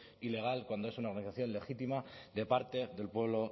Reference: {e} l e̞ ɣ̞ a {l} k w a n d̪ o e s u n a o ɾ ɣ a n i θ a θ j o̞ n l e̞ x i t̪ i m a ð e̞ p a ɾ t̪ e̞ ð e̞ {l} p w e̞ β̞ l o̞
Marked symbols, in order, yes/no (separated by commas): no, yes, yes